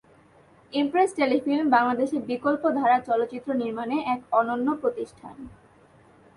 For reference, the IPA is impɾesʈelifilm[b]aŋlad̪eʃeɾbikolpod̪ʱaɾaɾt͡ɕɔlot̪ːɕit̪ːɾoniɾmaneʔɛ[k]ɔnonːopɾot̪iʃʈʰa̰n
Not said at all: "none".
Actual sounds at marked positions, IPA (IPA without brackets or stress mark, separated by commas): b, k